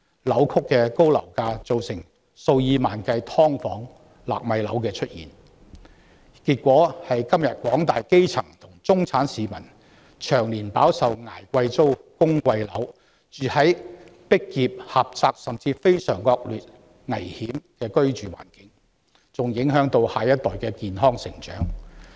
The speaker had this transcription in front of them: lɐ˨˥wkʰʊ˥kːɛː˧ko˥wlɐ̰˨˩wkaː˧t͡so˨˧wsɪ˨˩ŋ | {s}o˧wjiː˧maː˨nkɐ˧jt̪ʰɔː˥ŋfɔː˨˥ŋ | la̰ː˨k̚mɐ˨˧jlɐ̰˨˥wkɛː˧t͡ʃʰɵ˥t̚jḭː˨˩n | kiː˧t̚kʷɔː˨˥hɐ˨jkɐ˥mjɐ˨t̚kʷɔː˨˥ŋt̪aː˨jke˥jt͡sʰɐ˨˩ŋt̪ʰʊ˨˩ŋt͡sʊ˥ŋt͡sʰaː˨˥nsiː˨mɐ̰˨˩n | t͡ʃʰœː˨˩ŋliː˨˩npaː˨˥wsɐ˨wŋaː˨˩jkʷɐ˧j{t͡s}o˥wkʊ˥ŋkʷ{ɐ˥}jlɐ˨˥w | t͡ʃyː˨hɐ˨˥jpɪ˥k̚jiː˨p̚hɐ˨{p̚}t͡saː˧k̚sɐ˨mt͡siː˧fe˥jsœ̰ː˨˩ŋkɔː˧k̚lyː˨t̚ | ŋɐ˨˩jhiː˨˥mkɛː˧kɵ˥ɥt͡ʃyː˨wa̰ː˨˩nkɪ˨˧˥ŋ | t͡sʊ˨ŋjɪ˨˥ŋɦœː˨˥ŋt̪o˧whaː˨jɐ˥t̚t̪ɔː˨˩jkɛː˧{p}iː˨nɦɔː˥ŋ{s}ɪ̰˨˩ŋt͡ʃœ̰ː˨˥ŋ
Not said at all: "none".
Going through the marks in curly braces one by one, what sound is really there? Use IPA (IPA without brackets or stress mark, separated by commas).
s, t͡s, ɐ˧, p̚, k, s